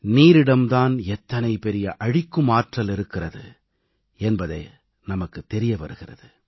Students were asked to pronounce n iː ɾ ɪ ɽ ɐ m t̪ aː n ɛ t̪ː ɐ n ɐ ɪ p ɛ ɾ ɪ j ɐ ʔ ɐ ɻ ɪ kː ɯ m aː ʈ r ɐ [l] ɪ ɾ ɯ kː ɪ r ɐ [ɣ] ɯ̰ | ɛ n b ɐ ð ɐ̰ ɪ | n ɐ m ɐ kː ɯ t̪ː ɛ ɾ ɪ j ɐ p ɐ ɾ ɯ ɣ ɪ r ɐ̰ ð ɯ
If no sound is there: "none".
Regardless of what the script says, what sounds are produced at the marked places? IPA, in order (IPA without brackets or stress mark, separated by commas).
l, ð